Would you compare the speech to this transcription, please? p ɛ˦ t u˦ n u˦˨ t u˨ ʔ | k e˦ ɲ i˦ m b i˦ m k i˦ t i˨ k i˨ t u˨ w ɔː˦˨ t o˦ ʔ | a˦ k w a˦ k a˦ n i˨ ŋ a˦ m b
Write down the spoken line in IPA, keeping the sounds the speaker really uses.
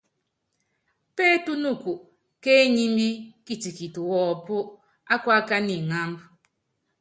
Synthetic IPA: p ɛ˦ t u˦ n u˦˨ k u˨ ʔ | k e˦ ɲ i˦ m b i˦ k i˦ t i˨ k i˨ t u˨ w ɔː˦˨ p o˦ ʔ | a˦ k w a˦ k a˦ n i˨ ŋ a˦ m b